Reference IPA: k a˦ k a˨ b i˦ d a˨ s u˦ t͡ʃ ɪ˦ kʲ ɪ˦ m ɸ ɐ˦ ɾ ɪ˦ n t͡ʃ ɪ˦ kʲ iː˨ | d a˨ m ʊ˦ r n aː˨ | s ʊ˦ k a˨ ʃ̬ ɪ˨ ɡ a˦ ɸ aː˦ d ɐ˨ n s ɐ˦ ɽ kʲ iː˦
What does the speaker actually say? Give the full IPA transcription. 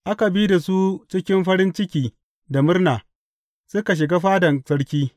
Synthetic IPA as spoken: ʔ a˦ k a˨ b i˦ d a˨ s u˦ t͡ʃ ɪ˦ kʲ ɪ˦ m ɸ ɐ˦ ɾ ɪ˦ n t͡ʃ ɪ˦ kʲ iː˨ | d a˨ m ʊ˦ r n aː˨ | s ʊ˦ k a˨ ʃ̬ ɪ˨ ɡ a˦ ɸ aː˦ d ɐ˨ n s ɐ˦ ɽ kʲ iː˦